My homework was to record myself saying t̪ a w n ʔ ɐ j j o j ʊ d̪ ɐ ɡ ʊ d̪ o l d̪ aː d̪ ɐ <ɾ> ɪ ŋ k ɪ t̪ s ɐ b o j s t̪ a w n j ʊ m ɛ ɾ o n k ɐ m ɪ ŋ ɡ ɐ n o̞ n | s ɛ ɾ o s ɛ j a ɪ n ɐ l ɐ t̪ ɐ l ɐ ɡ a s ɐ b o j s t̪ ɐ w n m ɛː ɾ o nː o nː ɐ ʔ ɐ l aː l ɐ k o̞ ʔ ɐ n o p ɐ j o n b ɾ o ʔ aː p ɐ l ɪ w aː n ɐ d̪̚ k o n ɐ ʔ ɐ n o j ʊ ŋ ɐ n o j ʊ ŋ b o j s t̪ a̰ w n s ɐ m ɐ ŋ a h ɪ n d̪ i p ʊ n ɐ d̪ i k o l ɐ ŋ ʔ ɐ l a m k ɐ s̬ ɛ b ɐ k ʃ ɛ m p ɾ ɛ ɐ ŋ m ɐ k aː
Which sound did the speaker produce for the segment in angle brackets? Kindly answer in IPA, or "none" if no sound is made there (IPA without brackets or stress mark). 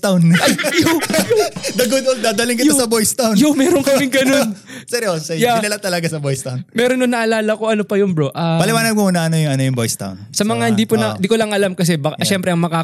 l